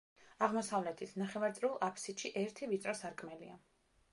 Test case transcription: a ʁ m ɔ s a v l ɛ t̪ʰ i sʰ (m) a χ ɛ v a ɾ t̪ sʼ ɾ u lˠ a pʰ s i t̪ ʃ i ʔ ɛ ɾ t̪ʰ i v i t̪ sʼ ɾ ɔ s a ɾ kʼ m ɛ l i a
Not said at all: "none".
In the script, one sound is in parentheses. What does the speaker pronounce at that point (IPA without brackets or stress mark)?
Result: n